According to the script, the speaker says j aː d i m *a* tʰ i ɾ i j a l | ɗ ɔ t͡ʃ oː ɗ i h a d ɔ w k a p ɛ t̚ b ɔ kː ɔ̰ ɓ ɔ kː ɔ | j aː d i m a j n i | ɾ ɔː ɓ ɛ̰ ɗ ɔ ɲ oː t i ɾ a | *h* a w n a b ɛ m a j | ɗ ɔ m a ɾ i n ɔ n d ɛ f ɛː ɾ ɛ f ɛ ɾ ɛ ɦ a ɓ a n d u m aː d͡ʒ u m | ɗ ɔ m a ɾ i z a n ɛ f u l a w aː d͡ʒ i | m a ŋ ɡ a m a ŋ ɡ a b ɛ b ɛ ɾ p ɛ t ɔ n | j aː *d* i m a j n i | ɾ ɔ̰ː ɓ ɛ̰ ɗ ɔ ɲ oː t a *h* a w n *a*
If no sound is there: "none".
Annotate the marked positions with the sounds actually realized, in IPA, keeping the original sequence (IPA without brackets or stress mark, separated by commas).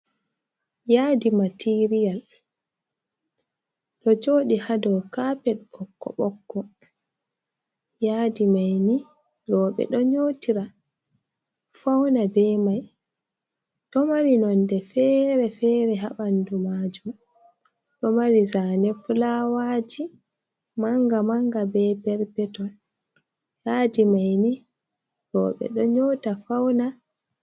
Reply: a, f, d, f, a